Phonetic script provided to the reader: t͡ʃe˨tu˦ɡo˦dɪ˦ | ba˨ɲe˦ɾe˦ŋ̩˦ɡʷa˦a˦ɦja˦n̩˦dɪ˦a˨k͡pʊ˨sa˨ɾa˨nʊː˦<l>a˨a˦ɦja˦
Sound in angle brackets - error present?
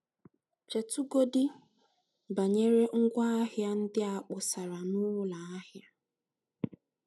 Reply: no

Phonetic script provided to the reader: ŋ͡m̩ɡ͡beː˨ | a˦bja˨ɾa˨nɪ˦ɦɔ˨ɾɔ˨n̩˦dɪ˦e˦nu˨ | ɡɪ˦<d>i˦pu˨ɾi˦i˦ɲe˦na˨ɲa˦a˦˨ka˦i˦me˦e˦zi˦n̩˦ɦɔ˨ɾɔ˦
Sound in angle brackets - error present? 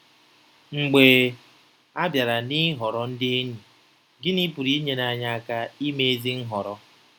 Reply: yes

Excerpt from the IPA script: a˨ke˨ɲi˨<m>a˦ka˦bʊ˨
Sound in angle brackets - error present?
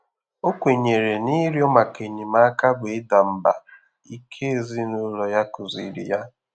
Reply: no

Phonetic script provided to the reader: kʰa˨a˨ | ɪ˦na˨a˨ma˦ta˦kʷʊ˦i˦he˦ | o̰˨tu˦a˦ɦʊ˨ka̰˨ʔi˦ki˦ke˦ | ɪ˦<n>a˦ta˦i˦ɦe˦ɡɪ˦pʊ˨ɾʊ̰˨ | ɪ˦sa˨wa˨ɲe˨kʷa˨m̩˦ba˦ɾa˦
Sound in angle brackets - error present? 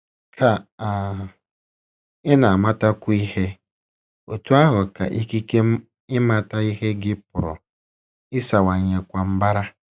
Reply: yes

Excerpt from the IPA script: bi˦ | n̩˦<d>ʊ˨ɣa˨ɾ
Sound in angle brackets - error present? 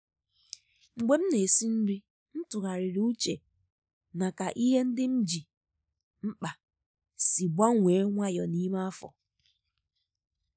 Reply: yes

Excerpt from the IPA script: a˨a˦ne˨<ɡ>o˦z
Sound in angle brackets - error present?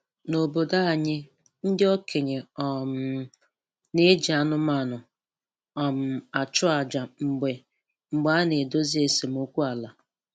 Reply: yes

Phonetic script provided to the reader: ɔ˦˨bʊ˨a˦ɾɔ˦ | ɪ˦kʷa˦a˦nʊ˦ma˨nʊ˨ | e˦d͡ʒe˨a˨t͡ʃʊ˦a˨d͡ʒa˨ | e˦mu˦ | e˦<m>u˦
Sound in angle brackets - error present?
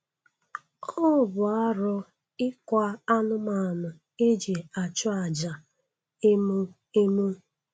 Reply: no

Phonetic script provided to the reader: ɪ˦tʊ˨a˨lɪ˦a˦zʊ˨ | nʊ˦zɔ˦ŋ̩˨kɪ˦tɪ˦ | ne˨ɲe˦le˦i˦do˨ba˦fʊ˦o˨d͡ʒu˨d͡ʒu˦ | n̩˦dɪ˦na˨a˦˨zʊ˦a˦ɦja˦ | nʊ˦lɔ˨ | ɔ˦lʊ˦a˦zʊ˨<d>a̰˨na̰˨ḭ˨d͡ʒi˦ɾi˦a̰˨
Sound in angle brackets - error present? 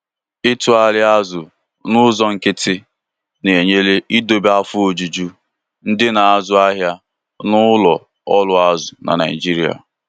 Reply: yes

